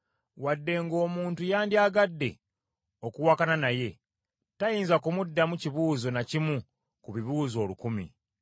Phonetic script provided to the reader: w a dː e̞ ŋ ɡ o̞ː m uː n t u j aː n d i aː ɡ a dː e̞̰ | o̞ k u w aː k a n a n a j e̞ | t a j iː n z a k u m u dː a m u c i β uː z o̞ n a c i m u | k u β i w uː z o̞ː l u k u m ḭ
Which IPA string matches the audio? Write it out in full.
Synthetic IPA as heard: w a dː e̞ ŋ ɡ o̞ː m uː n t u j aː n d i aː ɡ a dː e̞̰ | o̞ k u w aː k a n a n a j e̞ | t a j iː n z a k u m u dː a m u c i β uː z o̞ n a c i m u | k u β i β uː z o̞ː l u k u m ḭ